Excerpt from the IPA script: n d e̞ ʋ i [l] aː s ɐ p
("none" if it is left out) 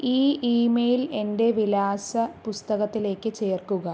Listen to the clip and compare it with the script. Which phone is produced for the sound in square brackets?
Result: l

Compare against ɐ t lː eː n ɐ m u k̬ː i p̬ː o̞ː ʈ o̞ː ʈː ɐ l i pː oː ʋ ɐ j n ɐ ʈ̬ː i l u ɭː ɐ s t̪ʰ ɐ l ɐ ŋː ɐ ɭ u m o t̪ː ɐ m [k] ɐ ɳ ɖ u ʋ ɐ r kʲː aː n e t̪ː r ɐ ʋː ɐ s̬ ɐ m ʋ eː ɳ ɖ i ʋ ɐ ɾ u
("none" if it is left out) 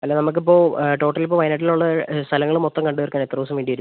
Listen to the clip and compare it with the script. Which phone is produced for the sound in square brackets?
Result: k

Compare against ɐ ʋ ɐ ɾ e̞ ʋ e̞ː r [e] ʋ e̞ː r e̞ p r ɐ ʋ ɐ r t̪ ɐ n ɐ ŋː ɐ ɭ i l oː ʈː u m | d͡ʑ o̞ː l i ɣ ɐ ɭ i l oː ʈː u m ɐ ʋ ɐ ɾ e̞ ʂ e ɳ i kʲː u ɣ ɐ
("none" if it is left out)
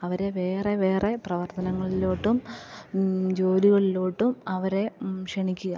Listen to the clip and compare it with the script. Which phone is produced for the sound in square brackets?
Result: e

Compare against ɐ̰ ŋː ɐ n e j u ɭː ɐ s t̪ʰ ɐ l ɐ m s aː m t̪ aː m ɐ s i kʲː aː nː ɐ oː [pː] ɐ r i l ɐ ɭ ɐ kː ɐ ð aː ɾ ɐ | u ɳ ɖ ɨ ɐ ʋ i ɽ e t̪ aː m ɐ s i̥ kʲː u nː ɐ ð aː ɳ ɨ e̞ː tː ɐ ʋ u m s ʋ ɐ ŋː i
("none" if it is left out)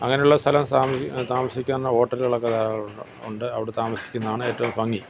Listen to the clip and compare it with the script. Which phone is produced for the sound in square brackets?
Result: ʈː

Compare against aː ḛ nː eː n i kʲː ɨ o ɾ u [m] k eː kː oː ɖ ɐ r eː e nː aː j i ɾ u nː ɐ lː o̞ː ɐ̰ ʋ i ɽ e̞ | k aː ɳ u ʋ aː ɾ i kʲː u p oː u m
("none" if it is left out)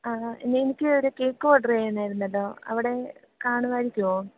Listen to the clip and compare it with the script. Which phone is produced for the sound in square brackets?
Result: none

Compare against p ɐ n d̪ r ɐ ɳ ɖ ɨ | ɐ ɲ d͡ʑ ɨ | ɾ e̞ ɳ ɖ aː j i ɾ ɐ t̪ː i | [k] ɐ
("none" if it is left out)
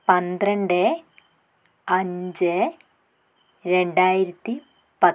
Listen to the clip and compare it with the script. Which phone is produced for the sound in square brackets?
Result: p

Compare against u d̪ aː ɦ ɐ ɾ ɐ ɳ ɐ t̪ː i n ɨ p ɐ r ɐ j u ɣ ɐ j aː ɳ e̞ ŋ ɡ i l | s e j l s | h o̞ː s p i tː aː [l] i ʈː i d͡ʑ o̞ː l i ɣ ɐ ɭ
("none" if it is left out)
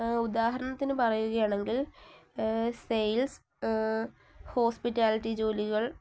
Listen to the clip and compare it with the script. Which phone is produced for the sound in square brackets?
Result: l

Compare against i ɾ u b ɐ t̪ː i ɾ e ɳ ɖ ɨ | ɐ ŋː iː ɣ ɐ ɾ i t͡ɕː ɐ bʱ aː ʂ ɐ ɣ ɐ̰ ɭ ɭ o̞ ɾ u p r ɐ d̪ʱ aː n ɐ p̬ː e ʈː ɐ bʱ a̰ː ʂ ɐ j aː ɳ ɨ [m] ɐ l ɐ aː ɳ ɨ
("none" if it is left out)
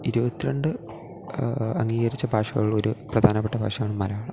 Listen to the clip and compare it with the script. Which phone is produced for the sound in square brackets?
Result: m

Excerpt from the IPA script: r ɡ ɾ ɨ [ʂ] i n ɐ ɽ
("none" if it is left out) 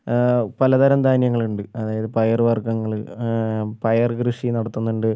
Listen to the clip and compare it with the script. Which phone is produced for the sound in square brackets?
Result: ʂ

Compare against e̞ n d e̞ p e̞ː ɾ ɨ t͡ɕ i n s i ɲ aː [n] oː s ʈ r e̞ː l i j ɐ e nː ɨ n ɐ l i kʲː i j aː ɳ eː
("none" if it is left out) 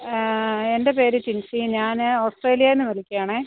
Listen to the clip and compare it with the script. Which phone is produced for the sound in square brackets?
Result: n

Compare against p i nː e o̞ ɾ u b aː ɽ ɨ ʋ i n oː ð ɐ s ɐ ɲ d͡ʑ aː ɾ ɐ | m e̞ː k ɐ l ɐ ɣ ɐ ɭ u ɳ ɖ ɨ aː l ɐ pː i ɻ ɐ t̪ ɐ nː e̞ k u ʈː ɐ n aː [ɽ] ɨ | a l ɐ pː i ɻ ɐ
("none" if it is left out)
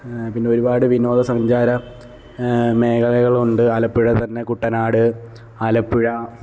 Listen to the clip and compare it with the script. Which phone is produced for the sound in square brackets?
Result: ɽ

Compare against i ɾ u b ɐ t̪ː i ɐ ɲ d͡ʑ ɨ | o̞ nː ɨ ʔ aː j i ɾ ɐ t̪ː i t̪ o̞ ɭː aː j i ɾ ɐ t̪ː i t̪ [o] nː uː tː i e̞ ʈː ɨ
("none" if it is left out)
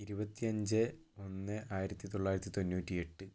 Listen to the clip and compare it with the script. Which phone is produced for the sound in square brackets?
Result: o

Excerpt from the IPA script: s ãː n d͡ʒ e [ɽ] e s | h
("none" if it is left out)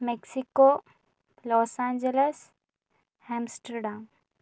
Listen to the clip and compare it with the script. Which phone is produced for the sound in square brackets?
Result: l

